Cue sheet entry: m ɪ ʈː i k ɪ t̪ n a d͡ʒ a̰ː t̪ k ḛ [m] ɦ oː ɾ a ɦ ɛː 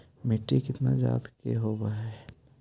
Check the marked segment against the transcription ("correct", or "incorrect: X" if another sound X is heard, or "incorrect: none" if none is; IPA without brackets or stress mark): incorrect: none